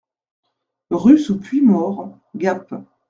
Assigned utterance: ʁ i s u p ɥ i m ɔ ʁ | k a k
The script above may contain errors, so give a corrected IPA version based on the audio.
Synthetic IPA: ʁ y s u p ɥ i m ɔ ʁ | ɡ a p